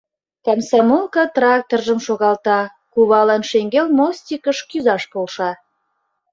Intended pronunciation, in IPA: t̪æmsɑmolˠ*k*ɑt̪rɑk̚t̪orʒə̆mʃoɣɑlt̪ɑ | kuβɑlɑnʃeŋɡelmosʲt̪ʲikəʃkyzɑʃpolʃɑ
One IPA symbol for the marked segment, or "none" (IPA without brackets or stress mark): k